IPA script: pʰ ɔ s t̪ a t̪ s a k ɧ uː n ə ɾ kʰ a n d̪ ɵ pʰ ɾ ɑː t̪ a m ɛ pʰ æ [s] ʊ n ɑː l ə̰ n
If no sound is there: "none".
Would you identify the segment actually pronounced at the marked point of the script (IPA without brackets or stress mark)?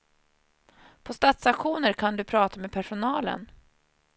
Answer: ʂ